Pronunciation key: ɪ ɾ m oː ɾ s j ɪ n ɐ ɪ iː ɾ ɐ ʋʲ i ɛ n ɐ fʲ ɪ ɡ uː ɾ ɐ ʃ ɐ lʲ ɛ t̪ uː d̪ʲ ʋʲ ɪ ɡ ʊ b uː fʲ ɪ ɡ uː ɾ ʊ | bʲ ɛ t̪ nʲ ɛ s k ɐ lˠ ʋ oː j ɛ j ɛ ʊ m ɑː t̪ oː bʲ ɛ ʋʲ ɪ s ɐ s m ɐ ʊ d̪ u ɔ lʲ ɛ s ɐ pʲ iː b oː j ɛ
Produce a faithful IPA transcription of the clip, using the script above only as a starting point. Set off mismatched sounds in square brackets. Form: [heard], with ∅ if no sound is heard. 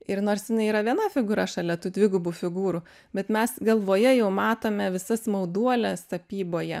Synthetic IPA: ɪ ɾ [n] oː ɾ s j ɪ n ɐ ɪ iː ɾ ɐ ʋʲ i ɛ n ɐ fʲ ɪ ɡ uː ɾ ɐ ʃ ɐ lʲ ɛ t̪ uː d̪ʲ ʋʲ ɪ ɡ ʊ b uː fʲ ɪ ɡ uː ɾ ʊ | bʲ ɛ t̪ [mʲ] ɛ s [ɡ] ɐ lˠ ʋ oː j ɛ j ɛ ʊ m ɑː t̪ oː [mʲ] ɛ ʋʲ ɪ s ɐ s m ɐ ʊ d̪ u ɔ lʲ ɛ s ɐ pʲ iː b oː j ɛ